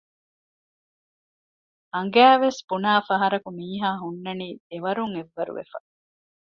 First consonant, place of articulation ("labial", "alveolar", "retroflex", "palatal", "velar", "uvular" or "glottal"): velar